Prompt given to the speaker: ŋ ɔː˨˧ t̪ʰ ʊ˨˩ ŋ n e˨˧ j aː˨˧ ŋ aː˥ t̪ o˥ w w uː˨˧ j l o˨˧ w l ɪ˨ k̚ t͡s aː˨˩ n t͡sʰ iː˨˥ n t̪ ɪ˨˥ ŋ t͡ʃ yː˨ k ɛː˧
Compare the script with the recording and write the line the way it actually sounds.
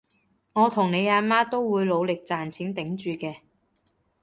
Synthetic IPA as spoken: ŋ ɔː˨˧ t̪ʰ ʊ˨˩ ŋ n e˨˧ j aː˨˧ m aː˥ t̪ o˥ w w uː˨˧ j l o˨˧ w l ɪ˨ k̚ t͡s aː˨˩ n t͡sʰ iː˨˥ n t̪ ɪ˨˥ ŋ t͡ʃ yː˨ k ɛː˧